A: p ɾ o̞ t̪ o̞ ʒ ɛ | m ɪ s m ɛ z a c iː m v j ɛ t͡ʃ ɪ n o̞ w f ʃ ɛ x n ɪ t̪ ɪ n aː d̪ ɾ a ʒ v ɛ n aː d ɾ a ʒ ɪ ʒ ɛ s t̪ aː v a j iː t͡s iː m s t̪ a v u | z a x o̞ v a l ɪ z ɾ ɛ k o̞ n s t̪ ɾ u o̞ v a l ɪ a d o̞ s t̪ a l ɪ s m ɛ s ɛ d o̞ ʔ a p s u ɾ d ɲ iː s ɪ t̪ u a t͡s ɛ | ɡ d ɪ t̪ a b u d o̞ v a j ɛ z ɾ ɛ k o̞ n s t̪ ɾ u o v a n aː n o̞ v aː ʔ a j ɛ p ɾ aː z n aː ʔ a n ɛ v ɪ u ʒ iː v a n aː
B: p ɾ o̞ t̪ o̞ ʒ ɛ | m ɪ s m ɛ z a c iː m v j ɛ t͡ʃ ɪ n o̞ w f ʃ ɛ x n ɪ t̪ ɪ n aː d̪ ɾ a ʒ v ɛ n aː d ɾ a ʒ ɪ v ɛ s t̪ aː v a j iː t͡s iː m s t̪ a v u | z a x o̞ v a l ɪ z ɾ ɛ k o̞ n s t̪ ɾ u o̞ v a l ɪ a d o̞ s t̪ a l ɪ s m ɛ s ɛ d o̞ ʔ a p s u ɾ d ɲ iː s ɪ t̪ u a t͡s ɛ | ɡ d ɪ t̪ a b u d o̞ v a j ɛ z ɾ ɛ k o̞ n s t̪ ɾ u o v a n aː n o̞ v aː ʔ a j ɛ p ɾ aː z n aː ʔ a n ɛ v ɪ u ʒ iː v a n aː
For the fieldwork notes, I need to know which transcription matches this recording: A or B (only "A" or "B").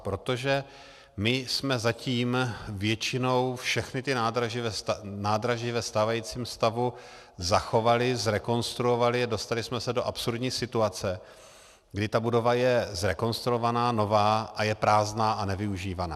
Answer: B